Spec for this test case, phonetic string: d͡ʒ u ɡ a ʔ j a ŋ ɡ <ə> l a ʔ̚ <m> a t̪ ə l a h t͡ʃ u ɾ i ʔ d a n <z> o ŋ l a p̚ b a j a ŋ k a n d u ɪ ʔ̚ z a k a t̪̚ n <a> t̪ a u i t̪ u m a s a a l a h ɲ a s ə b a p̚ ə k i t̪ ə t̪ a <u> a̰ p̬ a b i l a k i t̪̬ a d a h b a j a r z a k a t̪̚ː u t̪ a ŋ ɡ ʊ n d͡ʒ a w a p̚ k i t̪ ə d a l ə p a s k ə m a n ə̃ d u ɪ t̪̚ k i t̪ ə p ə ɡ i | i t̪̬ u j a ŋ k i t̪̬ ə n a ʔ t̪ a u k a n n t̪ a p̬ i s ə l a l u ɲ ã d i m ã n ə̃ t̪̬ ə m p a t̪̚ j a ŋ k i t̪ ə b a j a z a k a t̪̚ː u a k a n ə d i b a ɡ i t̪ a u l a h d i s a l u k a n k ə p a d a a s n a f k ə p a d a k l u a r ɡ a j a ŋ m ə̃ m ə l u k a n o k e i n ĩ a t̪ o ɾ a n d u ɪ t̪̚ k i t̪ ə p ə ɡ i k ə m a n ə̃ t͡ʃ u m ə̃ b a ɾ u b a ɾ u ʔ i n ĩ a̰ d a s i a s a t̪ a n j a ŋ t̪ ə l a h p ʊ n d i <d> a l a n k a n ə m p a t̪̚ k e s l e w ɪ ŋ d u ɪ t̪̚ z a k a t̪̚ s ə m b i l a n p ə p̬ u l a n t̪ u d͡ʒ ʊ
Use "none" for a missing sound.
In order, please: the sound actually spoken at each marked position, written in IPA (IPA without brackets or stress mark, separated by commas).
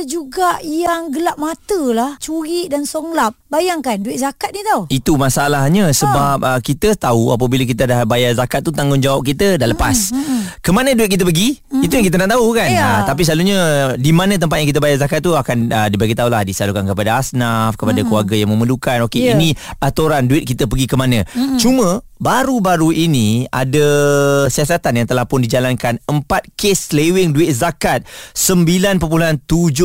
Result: ə, m, s, i, u, d͡ʒ